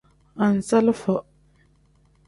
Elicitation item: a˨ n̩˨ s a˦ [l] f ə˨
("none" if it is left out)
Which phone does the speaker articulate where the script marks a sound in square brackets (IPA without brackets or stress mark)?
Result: l